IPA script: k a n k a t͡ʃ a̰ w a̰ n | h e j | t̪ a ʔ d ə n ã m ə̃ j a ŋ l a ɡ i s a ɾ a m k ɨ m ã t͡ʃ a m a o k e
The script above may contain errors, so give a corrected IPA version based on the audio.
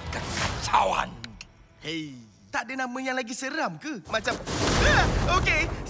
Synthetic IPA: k a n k a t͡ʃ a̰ w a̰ n | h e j | t̪ a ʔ d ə n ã m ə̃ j a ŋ l a ɡ i s ə ɾ a m k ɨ m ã t͡ʃ a m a o k e